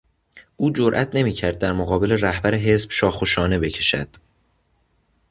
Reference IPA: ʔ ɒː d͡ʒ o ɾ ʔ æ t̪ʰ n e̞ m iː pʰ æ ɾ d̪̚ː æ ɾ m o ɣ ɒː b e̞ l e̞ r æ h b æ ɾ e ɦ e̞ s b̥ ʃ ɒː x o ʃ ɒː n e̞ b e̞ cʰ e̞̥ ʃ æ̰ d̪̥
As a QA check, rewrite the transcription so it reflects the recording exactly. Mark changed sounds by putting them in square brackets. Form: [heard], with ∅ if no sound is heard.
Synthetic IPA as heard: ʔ [uː] d͡ʒ o ɾ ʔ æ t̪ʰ n e̞ m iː [cʰ] æ ɾ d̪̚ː æ ɾ m o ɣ ɒː b e̞ l e̞ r æ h b æ ɾ e ɦ e̞ s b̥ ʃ ɒː x o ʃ ɒː n e̞ b e̞ cʰ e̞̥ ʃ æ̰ d̪̥